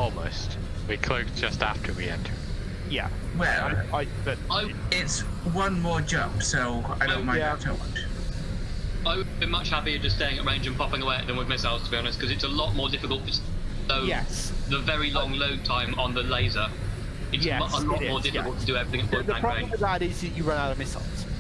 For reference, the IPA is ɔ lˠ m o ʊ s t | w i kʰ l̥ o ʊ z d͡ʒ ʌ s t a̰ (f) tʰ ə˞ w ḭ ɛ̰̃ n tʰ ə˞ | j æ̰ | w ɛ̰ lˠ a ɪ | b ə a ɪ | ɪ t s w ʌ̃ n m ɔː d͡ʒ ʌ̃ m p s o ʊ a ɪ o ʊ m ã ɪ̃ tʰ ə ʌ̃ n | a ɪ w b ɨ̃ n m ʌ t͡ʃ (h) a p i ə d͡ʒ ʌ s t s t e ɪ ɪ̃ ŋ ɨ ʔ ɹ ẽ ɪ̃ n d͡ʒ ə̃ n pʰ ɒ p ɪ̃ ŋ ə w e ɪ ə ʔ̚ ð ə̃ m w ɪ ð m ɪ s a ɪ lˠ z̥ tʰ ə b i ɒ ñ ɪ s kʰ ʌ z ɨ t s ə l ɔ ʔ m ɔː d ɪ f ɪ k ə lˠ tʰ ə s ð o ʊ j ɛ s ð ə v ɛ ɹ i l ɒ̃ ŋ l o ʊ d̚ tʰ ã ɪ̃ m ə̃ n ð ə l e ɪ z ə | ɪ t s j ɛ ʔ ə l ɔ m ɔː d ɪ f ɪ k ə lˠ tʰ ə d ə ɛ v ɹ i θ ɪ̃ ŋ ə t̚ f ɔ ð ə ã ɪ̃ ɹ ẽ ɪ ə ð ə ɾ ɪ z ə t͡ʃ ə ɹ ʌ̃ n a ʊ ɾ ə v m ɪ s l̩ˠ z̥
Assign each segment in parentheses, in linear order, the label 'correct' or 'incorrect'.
correct, correct

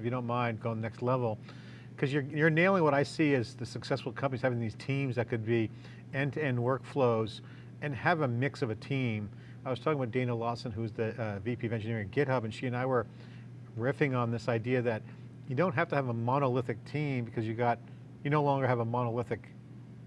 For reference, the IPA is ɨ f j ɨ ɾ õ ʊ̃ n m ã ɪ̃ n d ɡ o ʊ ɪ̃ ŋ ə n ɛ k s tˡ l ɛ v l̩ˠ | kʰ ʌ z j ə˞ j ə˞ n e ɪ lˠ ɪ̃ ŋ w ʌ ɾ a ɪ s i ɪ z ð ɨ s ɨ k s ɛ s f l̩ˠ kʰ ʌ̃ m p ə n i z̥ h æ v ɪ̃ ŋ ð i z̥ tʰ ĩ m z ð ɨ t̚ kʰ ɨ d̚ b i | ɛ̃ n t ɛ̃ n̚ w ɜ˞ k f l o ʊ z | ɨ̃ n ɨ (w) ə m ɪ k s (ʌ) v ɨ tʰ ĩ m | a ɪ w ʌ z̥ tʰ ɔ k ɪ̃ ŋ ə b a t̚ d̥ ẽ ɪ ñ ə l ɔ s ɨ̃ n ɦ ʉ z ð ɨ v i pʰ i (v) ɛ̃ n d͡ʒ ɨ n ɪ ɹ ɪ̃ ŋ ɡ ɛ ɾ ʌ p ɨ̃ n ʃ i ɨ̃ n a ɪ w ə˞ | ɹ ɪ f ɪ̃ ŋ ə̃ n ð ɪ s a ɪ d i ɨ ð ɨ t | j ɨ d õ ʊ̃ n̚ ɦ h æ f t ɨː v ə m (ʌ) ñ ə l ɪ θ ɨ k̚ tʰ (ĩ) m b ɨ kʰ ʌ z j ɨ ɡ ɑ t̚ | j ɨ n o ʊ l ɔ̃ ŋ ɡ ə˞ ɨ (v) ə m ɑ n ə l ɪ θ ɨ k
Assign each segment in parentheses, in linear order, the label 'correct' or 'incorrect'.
incorrect: v, correct, correct, incorrect: ɑ, correct, correct

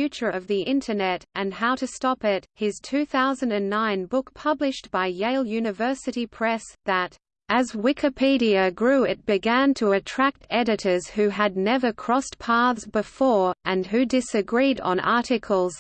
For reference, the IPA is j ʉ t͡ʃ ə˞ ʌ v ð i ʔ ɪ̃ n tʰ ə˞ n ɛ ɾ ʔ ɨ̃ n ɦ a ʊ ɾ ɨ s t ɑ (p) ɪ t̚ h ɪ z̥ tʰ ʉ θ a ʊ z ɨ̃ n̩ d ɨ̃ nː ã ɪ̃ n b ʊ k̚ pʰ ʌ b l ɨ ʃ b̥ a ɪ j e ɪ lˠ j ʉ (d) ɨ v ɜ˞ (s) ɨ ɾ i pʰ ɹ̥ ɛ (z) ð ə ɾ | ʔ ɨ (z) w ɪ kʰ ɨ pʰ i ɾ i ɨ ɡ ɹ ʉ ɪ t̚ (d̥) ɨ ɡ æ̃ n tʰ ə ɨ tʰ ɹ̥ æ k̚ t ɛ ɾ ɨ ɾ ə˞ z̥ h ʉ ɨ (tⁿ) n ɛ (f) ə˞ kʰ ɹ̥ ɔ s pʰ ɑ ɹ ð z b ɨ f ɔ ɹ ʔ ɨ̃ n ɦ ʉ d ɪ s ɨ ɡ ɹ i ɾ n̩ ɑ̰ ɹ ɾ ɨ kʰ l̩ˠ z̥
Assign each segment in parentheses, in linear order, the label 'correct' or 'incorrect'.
correct, incorrect: n, correct, incorrect: s, correct, incorrect: b̥, incorrect: dⁿ, incorrect: v

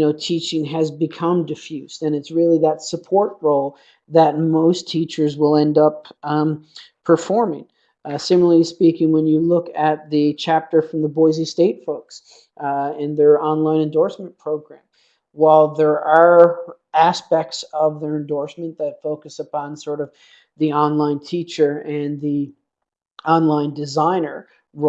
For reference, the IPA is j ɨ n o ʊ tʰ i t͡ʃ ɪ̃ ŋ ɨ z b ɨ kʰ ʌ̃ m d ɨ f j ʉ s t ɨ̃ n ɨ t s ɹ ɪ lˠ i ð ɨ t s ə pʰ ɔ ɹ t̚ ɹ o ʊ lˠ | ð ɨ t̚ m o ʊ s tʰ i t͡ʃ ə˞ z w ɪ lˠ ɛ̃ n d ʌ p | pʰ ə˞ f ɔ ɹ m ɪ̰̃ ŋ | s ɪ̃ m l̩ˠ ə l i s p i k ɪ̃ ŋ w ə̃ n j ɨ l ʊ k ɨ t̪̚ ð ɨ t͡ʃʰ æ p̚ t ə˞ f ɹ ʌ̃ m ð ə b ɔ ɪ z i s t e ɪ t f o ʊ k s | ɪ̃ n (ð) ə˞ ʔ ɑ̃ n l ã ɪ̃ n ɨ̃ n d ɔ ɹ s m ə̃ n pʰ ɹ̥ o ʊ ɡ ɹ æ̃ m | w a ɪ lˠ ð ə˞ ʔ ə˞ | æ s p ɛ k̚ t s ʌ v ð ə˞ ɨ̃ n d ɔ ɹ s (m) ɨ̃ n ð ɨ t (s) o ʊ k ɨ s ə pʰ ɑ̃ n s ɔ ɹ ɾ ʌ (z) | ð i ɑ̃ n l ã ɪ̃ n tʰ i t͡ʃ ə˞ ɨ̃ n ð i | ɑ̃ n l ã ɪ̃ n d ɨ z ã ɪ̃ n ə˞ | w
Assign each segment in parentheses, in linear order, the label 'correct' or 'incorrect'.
correct, correct, incorrect: f, incorrect: v

